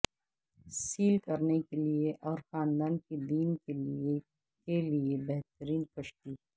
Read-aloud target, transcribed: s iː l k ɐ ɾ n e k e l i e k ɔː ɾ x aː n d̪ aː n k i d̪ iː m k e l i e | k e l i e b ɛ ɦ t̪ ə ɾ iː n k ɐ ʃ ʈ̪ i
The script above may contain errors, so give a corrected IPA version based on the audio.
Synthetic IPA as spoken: s iː l k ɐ ɾ n e k e l i e ʔ ɔː ɾ x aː n d̪ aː n k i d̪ iː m k e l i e | k e l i e b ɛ ɦ t̪ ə ɾ iː n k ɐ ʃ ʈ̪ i